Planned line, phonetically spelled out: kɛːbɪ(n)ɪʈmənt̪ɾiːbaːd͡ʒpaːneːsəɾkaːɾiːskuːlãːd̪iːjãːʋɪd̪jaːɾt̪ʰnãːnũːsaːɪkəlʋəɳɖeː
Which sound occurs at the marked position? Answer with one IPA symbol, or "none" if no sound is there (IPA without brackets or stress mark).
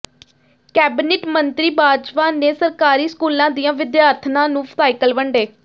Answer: n